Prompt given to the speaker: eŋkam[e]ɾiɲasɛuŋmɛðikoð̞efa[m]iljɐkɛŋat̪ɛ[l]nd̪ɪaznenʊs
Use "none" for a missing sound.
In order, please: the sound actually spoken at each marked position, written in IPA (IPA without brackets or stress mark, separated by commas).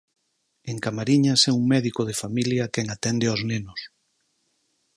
a, m, none